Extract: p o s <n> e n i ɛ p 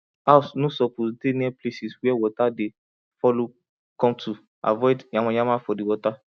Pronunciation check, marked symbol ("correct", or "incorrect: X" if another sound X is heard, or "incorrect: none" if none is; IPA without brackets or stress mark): incorrect: d